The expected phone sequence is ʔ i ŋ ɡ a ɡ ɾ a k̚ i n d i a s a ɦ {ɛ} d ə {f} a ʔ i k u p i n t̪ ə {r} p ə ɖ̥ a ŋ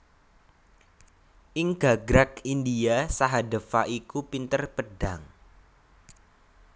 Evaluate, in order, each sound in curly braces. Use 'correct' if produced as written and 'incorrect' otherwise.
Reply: incorrect: a, correct, correct

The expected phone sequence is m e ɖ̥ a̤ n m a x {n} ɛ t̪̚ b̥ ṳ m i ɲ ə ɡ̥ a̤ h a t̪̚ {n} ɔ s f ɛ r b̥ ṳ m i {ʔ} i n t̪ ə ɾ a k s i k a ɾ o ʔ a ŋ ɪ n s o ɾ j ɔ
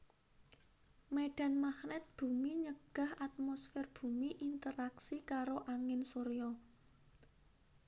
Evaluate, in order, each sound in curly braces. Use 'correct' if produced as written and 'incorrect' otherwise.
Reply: correct, incorrect: m, correct

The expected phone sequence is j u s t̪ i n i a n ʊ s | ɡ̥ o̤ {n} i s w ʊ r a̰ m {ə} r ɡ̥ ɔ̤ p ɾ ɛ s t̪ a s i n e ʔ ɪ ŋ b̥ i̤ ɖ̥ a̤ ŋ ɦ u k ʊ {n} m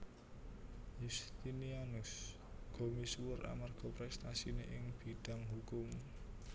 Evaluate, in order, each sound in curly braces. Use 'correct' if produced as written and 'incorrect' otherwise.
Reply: incorrect: m, incorrect: a, incorrect: none

